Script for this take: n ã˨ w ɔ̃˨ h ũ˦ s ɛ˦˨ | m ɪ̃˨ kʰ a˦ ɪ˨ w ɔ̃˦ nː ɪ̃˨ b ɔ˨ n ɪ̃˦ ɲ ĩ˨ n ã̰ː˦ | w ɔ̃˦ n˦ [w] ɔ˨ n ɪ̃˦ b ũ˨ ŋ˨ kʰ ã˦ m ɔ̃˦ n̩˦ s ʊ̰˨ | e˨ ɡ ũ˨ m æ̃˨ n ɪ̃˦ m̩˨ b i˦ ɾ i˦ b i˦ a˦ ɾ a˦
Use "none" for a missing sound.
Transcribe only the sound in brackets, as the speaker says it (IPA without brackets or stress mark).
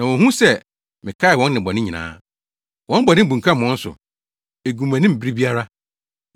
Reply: b